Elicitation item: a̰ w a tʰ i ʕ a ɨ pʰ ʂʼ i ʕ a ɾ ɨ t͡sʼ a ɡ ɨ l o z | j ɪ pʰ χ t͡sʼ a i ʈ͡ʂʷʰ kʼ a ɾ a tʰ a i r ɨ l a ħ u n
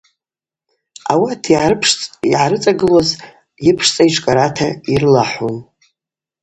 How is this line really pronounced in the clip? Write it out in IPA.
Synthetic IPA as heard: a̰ w a tʰ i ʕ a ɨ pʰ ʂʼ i ʕ a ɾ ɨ t͡sʼ a ɡ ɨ l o z | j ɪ pʰ ʂ t͡sʼ a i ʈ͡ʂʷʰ kʼ a ɾ a tʰ a i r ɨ l a ħ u n